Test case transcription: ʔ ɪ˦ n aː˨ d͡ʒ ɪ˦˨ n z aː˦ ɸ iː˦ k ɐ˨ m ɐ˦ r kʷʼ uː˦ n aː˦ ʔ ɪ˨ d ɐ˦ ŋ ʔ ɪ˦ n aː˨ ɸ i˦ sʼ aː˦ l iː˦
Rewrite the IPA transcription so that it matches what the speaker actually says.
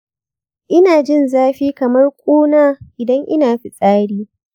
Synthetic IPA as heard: ʔ ɪ˦ n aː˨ d͡ʒ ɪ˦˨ n z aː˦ ɸ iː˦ k ɐ˨ m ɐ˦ r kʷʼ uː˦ n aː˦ ʔ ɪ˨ d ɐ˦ ŋ ʔ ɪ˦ n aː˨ ɸ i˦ sʼ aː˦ ɽ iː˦